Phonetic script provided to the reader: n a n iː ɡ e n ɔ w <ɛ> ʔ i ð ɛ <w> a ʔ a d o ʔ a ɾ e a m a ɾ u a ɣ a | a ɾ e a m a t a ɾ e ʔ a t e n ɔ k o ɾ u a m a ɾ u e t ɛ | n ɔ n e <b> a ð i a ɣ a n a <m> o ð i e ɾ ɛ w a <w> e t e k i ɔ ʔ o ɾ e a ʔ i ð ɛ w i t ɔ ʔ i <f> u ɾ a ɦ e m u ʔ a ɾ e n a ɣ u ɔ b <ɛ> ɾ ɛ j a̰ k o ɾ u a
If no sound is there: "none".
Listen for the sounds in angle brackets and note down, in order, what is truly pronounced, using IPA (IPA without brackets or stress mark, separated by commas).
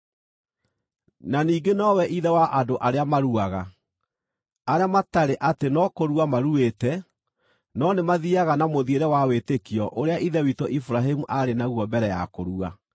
ɛ, w, m, m, w, f, ɛ